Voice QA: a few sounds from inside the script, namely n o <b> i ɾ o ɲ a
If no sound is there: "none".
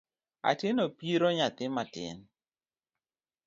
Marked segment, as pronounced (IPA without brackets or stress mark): p